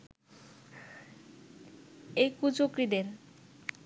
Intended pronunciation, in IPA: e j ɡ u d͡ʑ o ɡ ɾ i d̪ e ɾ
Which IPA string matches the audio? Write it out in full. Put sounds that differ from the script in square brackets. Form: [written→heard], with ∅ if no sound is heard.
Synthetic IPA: e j [ɡ→k] u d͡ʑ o [ɡ→k] ɾ i d̪ e ɾ